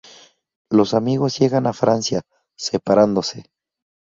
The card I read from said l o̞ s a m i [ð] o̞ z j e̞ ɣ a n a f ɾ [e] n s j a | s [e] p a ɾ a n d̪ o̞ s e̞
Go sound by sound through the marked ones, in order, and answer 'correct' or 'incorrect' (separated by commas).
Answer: incorrect, incorrect, correct